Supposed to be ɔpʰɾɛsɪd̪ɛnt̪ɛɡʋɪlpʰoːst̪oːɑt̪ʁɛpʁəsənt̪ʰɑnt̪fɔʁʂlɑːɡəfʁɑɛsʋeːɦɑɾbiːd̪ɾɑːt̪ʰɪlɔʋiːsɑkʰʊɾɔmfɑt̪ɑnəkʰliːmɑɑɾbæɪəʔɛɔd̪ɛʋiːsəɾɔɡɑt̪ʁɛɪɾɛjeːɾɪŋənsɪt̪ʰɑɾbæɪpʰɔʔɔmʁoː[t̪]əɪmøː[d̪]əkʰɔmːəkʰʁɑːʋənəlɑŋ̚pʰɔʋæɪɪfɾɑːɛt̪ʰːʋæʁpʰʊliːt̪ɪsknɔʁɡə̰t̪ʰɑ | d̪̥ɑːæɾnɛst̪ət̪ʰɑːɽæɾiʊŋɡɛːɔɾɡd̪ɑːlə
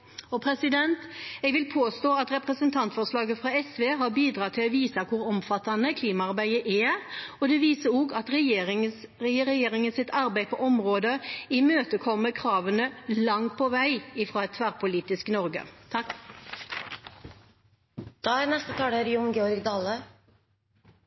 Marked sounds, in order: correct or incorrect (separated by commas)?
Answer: incorrect, incorrect